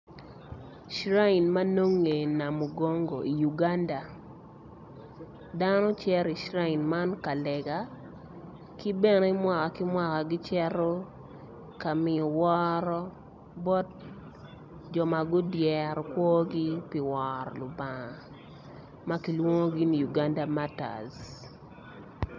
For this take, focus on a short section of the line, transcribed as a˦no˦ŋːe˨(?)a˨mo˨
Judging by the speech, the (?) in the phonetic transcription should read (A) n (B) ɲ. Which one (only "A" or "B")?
A